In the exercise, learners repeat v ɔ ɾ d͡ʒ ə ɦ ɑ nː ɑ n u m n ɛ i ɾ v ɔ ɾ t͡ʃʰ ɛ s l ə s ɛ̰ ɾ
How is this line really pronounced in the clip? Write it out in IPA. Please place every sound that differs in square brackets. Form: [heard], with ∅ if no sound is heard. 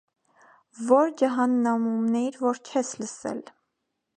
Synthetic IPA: v ɔ ɾ d͡ʒ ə ɦ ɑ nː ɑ [m] u m n ɛ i ɾ v ɔ ɾ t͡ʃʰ ɛ s l ə s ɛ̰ [l]